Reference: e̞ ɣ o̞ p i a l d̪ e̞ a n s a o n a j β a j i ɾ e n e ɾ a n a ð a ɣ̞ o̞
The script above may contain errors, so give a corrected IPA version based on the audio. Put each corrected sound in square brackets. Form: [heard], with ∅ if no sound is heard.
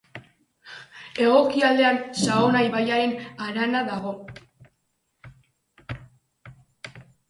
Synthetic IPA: e̞ ɣ o̞ [k] i a l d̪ e̞ a n s a o n a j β a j [a] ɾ e n [a] ɾ a n a ð a ɣ̞ o̞